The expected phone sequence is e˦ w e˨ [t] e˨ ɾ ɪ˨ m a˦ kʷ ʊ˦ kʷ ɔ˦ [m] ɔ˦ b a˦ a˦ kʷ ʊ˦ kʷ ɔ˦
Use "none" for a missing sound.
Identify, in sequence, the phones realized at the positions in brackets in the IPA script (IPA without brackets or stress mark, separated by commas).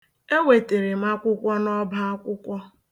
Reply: t, n